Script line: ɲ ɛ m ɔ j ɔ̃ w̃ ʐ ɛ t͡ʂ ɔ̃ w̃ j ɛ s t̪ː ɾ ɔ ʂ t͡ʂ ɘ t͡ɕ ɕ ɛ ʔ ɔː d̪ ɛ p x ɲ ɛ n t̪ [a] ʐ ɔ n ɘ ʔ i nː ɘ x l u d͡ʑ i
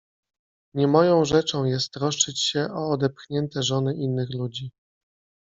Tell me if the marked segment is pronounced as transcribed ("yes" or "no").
no